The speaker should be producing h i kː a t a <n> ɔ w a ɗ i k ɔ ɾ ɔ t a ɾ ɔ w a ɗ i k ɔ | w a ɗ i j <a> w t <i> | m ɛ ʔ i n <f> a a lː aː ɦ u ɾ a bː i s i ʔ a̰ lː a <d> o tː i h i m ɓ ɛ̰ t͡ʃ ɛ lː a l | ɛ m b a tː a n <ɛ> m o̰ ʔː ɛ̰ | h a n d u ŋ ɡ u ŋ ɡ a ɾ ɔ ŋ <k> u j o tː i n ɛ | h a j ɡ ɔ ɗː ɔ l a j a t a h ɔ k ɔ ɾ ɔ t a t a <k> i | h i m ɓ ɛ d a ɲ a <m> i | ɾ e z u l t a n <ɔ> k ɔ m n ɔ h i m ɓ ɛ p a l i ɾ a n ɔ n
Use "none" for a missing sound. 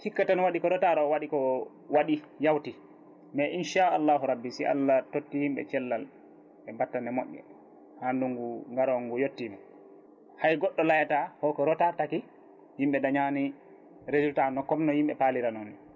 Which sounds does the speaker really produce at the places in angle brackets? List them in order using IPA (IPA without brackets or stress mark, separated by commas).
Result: n, a, i, ʃ, t, ɛ, ɡ, k, n, ɔ